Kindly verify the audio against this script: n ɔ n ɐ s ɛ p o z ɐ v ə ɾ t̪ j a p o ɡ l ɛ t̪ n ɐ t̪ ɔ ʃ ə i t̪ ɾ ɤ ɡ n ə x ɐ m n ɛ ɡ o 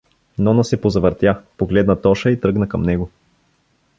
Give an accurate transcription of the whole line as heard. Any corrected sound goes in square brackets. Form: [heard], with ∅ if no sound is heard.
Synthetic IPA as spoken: n ɔ n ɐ s ɛ p o z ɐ v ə ɾ t̪ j a p o ɡ l ɛ [d̪] n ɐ t̪ ɔ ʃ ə i t̪ ɾ ɤ ɡ n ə [k] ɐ m n ɛ ɡ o